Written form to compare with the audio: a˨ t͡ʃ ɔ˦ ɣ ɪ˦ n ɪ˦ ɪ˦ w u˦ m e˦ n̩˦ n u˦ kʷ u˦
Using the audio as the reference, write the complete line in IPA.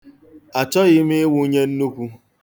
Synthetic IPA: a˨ t͡ʃ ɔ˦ ɣ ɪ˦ m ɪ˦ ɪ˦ w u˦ ɲ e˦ n̩˦ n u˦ kʷ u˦